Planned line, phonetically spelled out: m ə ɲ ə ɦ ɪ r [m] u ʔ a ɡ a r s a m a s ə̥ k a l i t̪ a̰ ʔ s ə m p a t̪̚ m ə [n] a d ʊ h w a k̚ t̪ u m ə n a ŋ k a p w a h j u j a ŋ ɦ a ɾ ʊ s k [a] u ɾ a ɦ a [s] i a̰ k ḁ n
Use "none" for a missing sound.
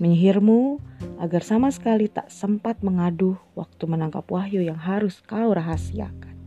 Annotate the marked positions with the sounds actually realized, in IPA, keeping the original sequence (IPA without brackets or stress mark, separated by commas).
m, ŋ, a, s